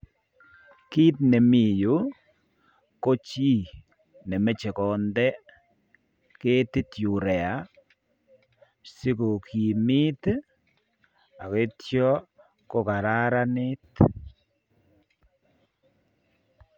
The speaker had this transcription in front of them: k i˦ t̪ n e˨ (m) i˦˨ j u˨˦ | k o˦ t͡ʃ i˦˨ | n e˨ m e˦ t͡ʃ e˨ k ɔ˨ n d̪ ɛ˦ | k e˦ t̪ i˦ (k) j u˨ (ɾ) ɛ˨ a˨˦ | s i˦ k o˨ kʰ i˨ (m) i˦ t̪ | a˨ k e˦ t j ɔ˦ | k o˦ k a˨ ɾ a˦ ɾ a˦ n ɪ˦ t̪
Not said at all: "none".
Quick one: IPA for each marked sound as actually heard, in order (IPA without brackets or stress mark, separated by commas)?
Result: m, t, ɾ, m